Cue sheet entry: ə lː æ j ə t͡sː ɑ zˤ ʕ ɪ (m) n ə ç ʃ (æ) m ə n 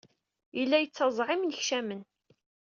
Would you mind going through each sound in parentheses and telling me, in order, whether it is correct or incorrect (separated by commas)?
correct, correct